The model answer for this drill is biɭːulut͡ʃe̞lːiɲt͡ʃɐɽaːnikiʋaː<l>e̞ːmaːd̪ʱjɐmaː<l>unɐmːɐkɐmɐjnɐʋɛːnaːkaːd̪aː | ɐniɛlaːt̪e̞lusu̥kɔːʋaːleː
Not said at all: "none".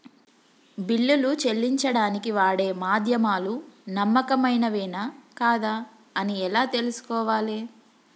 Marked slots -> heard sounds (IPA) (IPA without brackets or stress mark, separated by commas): ɽ, l